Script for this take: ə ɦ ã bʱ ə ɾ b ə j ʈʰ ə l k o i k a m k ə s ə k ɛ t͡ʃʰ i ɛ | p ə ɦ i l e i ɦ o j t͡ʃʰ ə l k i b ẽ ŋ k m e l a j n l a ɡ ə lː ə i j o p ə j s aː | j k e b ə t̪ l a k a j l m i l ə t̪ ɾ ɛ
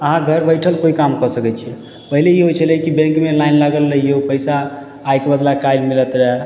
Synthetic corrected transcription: ə ɦ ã ɡʱ ə ɾ b ə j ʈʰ ə l k o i k a m k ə s ə k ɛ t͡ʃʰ i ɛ | p ə ɦ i l e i ɦ o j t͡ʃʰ ə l k i b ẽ ŋ k m e l a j n l a ɡ ə lː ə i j o p ə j s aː | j k e b ə d̪ l a k a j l m i l ə t̪ ɾ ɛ